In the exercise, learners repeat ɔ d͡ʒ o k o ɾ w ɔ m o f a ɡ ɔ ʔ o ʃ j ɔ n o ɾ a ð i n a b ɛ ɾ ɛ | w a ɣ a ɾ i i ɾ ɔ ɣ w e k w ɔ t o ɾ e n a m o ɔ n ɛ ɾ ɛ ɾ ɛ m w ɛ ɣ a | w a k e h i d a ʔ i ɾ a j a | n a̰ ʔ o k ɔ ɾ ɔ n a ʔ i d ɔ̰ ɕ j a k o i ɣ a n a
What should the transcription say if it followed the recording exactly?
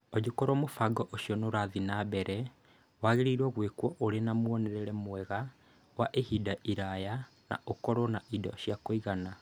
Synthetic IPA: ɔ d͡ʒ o k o ɾ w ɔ m o f a ɡ ɔ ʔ o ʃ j ɔ n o ɾ a ð i n a b ɛ ɾ ɛ | w a ɣ e ɾ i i ɾ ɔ ɣ w e k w ɔ ʔ o ɾ e n a m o ɔ n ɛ ɾ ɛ ɾ ɛ m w ɛ ɣ a | w a ʔ e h i d a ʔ i ɾ a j a | n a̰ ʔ o k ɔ ɾ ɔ n a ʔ i d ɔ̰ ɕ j a k o i ɣ a n a